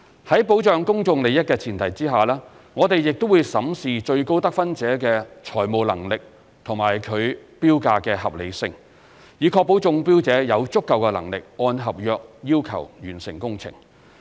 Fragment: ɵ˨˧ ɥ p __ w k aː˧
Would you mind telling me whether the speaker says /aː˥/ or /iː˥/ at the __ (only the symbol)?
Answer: iː˥